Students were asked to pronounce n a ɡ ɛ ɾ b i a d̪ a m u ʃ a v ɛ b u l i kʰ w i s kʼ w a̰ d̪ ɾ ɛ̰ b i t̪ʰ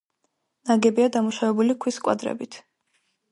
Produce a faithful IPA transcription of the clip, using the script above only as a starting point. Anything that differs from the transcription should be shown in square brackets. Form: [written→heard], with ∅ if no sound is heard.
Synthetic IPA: n a ɡ ɛ [ɾ→∅] b i a d̪ a m u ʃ a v ɛ b u l i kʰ w i s kʼ w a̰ d̪ ɾ ɛ̰ b i t̪ʰ

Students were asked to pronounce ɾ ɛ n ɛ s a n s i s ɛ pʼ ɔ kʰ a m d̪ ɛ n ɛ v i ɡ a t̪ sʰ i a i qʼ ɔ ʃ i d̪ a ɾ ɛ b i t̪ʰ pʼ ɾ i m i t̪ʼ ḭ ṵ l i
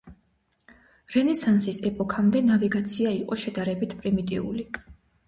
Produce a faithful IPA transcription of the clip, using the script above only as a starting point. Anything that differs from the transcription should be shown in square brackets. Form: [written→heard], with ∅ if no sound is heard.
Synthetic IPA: ɾ ɛ n ɛ s a n s i s ɛ pʼ ɔ kʰ a m d̪ ɛ n [ɛ→a] v i ɡ a t̪ sʰ i a i qʼ ɔ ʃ [i→ɛ] d̪ a ɾ ɛ b i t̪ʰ pʼ ɾ i m i t̪ʼ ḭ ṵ l i

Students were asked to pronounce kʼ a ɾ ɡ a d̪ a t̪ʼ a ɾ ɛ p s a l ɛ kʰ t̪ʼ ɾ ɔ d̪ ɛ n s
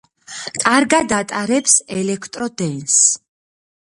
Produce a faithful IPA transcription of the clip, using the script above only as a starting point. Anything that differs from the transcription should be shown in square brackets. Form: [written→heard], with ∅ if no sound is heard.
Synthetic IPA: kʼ a ɾ ɡ a d̪ a t̪ʼ a ɾ ɛ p s [a→ɛ] l ɛ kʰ t̪ʼ ɾ ɔ d̪ ɛ n s

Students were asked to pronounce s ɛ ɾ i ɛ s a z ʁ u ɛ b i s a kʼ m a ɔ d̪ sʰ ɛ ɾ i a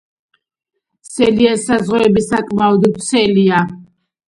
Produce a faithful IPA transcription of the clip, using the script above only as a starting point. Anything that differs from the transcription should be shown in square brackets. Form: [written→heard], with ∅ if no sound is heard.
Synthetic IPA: s ɛ [ɾ→l] i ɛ s a z ʁ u ɛ b i s a kʼ m a ɔ d̪ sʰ ɛ [ɾ→l] i a

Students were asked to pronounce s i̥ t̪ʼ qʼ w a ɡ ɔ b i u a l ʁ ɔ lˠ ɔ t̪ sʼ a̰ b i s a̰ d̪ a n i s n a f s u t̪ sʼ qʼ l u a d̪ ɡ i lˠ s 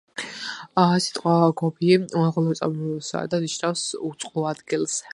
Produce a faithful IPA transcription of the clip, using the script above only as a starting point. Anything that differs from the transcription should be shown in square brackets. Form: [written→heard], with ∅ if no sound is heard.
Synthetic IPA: s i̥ t̪ʼ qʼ w a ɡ ɔ b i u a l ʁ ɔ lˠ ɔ t̪ sʼ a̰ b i s a̰ d̪ a n i [s→ʃ] n a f s u t̪ sʼ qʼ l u a d̪ ɡ i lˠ s

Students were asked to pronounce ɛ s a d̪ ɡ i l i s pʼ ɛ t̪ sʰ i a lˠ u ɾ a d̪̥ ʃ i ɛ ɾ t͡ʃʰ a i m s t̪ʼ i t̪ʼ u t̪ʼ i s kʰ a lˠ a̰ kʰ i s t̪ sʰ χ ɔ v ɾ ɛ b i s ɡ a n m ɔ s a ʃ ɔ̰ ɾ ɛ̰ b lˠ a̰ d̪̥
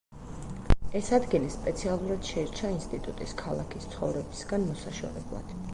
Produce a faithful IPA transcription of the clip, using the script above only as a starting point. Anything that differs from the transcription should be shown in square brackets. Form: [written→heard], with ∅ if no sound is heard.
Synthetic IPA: ɛ s a d̪ ɡ i l i s pʼ ɛ t̪ sʰ i a lˠ u ɾ a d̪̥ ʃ [i→ɛ] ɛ ɾ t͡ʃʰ a i [m→n] s t̪ʼ i t̪ʼ u t̪ʼ i s kʰ a lˠ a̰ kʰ i s t̪ sʰ χ ɔ v ɾ ɛ b i s ɡ a n m ɔ s a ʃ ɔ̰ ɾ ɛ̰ b lˠ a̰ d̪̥

